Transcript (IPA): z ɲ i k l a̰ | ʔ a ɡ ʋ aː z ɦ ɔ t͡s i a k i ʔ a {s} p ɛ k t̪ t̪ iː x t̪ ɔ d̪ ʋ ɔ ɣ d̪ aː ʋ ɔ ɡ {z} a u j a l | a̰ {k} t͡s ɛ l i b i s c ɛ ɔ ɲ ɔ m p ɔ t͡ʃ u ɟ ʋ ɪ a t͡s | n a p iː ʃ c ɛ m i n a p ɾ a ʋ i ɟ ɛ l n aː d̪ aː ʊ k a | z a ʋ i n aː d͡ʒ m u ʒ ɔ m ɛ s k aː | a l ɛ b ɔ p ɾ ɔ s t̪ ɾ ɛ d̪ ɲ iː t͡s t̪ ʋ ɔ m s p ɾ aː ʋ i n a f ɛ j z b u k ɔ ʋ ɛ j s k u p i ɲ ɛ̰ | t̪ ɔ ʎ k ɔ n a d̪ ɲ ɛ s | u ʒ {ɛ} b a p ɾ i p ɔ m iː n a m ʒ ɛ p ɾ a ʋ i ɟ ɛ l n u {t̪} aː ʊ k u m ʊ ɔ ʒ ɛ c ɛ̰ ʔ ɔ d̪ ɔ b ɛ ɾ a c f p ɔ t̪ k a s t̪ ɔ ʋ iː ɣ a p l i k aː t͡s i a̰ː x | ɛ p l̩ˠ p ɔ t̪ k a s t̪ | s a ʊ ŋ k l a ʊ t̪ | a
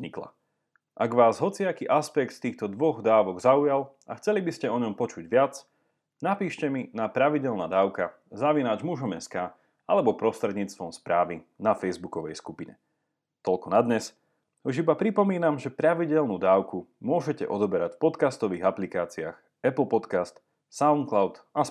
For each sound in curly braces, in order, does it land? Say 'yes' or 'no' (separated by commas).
yes, yes, no, no, no